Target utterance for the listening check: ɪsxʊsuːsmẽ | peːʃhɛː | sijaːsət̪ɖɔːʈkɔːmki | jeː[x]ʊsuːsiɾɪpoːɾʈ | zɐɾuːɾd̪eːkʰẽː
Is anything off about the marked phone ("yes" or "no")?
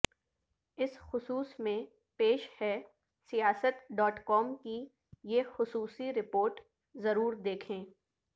no